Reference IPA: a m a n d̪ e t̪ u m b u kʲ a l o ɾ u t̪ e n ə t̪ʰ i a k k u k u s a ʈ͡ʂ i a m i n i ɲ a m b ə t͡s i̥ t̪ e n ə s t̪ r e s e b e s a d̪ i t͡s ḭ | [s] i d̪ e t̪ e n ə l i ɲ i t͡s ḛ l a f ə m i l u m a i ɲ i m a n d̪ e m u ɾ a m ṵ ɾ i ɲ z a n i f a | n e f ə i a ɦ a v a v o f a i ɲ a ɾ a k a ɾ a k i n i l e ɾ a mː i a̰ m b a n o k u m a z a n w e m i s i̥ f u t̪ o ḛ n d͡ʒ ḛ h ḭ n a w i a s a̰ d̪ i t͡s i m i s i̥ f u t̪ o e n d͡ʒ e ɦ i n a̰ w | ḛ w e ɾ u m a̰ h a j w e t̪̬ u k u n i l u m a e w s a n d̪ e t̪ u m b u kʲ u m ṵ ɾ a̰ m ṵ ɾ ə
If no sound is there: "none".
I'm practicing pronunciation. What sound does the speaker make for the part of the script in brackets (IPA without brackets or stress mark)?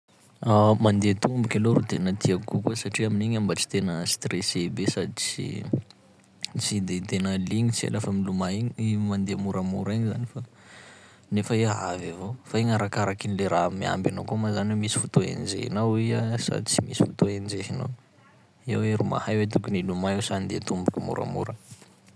t͡s